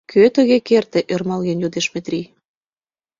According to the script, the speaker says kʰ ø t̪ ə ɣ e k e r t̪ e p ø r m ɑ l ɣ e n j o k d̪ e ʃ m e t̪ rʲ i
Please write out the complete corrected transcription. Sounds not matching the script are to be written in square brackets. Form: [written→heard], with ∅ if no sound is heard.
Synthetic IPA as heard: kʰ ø t̪ ə ɣ e k e r t̪ e [p→ʔ] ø r m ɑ l ɣ e n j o [k→∅] d̪ e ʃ m e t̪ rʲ i